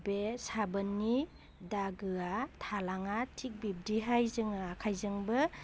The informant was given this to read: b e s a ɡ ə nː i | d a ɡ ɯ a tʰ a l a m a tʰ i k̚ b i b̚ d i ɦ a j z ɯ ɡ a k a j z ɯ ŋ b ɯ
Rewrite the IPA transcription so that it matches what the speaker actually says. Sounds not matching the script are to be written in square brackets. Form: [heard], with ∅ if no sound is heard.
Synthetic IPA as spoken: b e s a [b] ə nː i | d a ɡ ɯ a tʰ a l a [ŋ] a tʰ i k̚ b i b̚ d i ɦ a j z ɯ [ŋ] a [kʰ] a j z ɯ ŋ b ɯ